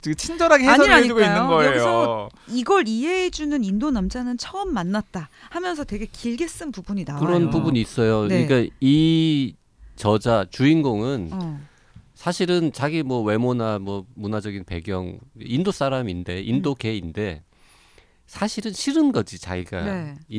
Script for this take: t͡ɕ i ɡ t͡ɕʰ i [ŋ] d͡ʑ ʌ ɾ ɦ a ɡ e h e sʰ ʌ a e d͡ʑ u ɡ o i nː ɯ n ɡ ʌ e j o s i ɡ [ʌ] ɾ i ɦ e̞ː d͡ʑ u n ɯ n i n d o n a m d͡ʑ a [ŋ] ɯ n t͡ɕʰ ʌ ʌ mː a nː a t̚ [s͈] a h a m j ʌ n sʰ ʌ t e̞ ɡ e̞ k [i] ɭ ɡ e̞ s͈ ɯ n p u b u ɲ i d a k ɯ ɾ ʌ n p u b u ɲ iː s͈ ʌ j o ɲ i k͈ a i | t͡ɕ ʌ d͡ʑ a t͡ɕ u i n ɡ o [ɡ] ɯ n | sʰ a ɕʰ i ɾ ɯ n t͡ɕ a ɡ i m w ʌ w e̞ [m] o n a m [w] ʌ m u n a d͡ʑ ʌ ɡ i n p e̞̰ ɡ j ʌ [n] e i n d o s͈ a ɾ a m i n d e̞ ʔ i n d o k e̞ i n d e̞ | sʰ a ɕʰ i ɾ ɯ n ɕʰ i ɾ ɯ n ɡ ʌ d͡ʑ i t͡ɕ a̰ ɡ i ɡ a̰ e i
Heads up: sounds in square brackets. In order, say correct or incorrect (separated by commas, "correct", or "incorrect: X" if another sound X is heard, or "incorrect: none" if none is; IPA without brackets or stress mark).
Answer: incorrect: n, correct, incorrect: n, incorrect: t͈, correct, incorrect: ŋ, correct, correct, incorrect: ŋ